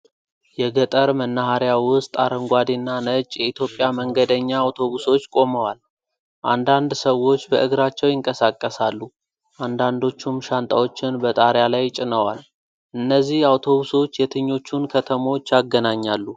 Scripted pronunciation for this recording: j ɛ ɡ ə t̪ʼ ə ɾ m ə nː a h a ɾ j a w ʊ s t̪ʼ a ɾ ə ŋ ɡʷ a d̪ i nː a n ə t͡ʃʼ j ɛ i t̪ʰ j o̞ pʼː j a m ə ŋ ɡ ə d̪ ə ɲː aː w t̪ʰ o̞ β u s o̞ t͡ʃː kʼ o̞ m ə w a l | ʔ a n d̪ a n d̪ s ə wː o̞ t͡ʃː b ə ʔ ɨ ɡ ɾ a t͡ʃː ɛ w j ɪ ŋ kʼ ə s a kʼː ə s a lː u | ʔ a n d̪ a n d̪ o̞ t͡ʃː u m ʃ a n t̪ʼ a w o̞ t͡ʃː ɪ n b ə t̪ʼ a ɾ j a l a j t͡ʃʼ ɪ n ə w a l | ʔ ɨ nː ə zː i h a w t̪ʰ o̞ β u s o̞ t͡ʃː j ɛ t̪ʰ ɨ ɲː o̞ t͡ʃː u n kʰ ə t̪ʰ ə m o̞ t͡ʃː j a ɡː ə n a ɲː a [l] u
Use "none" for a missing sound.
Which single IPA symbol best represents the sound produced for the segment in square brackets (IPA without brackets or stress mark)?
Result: lː